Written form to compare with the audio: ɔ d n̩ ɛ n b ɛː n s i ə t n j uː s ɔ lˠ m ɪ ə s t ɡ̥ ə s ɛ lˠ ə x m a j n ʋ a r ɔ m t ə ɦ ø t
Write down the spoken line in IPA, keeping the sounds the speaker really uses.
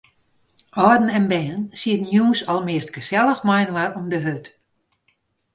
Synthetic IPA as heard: ɔ d n̩ ɛ n b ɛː n s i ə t n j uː s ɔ lˠ m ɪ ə s t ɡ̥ ə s ɛ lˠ ə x m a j n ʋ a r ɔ m d ə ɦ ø t